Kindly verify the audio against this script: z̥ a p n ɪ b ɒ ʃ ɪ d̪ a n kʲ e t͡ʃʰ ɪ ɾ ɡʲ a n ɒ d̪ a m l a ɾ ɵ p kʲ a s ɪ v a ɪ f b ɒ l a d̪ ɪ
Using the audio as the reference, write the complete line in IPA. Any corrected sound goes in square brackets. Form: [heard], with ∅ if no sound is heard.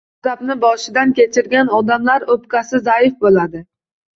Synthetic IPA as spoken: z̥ a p n ɪ b ɒ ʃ ɪ d̪ a n kʲ e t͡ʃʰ ɪ ɾ ɡʲ a n ɒ d̪ a m l a ɾ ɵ p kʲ a s ɪ [z] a ɪ f b [o] l a d̪ ɪ